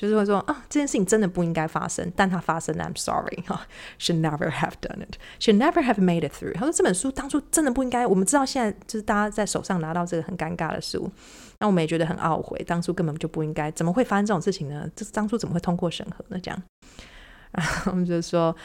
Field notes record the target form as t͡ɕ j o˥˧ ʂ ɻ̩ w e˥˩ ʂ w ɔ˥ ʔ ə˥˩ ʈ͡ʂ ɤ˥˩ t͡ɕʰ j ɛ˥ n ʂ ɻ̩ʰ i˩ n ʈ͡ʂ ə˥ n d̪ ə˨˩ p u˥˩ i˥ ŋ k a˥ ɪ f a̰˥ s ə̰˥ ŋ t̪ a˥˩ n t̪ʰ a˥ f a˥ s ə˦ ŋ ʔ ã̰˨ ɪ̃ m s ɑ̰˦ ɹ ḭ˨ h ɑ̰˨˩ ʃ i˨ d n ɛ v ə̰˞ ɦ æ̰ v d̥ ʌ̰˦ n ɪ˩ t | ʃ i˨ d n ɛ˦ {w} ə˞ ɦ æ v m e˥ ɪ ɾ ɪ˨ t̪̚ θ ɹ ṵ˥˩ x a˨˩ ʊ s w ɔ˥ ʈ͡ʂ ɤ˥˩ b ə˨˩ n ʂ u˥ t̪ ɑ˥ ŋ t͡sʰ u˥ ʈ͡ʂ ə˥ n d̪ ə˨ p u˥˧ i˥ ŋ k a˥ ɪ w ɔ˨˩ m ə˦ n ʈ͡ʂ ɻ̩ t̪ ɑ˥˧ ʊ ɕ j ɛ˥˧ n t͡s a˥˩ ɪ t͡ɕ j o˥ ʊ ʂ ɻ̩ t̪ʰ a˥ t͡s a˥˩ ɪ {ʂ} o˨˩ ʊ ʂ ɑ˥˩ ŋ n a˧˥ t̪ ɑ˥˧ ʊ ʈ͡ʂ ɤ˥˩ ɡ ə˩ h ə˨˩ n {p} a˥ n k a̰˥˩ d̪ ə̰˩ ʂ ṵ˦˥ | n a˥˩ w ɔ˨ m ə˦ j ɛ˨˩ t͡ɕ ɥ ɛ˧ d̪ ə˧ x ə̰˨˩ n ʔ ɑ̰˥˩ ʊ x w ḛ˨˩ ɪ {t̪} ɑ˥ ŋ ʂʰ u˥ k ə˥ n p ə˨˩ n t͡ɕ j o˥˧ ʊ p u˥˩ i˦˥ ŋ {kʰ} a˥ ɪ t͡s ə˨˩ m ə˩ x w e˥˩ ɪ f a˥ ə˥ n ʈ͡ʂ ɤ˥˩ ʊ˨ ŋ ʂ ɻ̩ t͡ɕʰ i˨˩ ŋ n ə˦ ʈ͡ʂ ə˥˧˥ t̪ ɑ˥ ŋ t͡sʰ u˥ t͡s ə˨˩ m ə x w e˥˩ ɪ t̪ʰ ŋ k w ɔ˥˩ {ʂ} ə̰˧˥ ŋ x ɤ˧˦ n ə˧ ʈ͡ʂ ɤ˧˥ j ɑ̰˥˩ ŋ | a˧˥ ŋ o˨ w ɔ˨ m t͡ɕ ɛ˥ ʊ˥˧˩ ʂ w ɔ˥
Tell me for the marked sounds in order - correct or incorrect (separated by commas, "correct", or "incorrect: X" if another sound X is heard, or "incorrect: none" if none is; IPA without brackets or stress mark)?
incorrect: v, correct, incorrect: k, correct, incorrect: k, correct